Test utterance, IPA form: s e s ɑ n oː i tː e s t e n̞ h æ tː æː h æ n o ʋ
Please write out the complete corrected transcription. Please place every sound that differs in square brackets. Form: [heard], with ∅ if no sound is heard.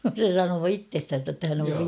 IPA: s e s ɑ n oː i tː e s t [æ] n̞ [s] æ tː [æ] h æ n o ʋ